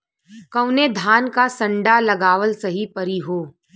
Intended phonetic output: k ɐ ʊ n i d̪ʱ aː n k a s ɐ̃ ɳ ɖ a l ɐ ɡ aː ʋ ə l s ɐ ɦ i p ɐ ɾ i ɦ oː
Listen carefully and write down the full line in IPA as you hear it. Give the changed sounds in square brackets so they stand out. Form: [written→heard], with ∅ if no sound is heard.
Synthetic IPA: k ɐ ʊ n [i→e] d̪ʱ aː n k a s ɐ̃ ɳ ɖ a l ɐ ɡ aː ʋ ə l s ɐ ɦ i p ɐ ɾ i ɦ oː